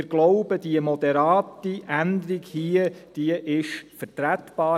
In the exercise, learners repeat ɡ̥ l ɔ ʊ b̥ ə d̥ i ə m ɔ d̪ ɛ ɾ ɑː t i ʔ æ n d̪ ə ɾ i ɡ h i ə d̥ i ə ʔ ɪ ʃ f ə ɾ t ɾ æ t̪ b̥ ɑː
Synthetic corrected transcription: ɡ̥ l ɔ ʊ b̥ ə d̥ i ə m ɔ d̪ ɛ ɾ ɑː t i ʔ æ n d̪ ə ɾ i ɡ h i ə d̥ i ə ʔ ɪ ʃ f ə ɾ t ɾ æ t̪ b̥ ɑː

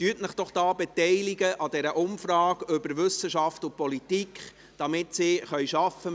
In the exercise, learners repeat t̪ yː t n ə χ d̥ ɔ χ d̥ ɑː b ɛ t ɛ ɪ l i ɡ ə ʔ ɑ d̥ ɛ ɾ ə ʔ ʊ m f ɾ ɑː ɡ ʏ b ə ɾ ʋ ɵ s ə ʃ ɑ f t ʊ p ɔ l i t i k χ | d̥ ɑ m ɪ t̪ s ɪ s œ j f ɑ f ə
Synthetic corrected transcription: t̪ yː t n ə χ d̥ ɔ χ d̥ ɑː b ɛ t ɛ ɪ l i ɡ ə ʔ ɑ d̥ ɛ ɾ ə ʔ ʊ m f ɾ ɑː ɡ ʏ b ə ɾ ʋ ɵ s ə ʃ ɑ f t ʊ p ɔ l i t i k χ | d̥ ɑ m ɪ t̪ s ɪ χ œ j ʃ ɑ f ə

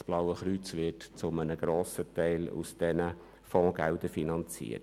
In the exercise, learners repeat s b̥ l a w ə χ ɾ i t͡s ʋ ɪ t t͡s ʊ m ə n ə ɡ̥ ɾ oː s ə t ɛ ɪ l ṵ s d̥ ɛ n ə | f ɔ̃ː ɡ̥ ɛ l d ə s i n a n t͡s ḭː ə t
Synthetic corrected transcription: s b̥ l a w ə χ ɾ y t͡s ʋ ɪ t t͡s ʊ m ə n ə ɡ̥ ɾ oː s ə t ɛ ɪ l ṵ s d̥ ɛ n ə | f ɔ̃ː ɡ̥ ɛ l d ə f i n ɑ n t͡s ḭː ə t

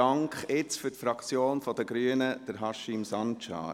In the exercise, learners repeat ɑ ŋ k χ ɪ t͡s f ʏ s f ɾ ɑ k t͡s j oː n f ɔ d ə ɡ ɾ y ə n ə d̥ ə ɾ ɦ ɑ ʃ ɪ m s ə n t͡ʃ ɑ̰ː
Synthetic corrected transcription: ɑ ŋ k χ ɪ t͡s f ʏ t f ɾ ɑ k t͡s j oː n f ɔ d ə ɡ ɾ y ə n ə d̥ ə ɾ ɦ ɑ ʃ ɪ m s ɑ n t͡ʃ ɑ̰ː

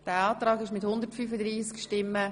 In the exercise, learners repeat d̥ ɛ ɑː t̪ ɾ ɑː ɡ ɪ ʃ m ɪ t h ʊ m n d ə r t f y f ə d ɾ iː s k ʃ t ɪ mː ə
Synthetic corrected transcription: d̥ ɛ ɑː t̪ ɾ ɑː ɡ ɪ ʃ m ɪ t h ʊ n d ə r t f y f ə d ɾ iː s k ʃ t ɪ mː ə

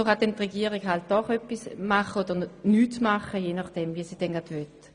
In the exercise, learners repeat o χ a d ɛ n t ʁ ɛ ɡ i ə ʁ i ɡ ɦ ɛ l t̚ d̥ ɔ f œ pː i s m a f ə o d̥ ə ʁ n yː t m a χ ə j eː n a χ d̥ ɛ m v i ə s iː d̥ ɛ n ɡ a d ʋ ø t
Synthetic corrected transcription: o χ a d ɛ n t ʁ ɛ ɡ i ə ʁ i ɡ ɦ a l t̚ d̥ ɔ χ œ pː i s m a χ ə o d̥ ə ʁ n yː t m a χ ə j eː n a χ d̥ ɛ m v i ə s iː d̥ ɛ n ɡ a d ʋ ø t

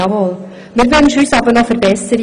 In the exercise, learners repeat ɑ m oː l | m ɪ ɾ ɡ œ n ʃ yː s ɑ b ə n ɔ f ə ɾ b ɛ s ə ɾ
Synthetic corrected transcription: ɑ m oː l | m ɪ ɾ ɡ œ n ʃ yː s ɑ b ə n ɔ f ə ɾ b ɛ s ə ɾ

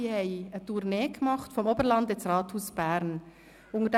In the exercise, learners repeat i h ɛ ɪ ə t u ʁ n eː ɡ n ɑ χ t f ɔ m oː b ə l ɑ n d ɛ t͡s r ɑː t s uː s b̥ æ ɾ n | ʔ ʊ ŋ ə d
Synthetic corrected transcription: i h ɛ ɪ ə t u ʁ n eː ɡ m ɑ χ t f ɔ m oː b ə l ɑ n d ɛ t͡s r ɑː t h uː s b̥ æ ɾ n | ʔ ʊ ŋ ə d

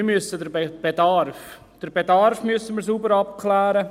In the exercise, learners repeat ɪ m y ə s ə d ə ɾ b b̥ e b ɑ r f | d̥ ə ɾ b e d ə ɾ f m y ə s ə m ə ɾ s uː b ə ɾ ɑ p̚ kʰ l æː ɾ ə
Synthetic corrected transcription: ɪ m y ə s ə d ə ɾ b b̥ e d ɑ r f | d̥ ə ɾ b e d ɑ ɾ f m y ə s ə m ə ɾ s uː b ə ɾ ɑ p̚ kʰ l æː ɾ ə

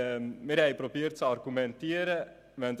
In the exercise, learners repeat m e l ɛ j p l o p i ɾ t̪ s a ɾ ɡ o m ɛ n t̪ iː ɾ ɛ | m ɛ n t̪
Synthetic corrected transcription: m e ɾ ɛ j p ɾ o p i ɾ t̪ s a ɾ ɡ u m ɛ n t̪ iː ɾ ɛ | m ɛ n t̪

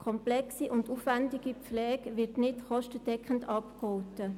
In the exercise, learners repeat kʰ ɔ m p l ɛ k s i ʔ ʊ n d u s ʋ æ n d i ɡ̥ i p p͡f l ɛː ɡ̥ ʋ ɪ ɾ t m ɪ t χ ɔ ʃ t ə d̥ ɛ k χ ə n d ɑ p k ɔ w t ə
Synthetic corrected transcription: kʰ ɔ m p l ɛ k s i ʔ ʊ n d u f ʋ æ n d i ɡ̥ i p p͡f l ɛː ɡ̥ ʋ ɪ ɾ t n ɪ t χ ɔ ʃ t ə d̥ ɛ k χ ə n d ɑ p k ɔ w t ə

